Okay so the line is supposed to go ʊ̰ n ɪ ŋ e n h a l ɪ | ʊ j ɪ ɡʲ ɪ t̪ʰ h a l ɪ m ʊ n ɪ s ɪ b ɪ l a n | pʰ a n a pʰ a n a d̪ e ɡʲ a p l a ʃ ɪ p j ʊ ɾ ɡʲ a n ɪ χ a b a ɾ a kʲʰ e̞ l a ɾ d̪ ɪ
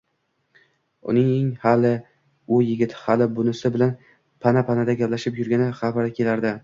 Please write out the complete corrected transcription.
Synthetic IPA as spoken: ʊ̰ n ɪ ŋ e ŋ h a l ɪ | ʊ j ɪ ɡʲ ɪ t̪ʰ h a l ɪ b ʊ n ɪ s ɪ b ɪ l a n | pʰ a n a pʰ a n a d̪ a ɡʲ a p l a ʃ ɪ p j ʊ ɾ ɡʲ a n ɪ χ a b a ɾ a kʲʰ e̞ l a ɾ d̪ ɪ